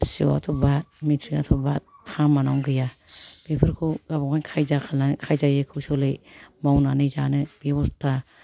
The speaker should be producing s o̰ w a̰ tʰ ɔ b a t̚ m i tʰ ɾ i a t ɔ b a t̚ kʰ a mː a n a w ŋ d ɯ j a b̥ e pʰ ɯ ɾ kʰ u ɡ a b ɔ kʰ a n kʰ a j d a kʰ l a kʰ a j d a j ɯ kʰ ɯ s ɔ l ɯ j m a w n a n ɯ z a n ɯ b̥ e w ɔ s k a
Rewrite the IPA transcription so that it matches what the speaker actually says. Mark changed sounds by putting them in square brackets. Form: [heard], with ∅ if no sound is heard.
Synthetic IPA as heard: s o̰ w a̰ tʰ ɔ b a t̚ m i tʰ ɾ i a [tʰ] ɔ b a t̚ kʰ a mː a n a w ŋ [ɡ] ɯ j a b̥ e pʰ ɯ ɾ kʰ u ɡ a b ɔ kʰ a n kʰ a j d a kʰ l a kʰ a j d a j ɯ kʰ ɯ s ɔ l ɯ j m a w n a n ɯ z a n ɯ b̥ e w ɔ s [t] a